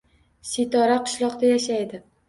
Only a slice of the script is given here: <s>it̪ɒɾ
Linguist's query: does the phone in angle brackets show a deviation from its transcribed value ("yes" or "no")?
no